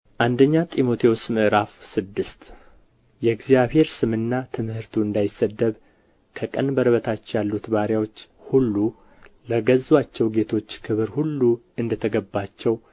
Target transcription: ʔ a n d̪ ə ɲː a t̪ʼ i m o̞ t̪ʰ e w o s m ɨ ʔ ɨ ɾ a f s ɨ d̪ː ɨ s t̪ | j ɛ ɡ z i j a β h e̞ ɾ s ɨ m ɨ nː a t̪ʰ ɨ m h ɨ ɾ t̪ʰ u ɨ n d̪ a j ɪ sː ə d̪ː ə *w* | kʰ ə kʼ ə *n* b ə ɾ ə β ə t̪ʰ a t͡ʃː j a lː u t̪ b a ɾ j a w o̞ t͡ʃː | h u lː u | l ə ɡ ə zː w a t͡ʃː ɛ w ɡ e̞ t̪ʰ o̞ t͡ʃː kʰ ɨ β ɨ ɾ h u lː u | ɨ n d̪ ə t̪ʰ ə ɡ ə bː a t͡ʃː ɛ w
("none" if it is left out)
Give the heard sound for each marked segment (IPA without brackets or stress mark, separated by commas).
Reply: β, n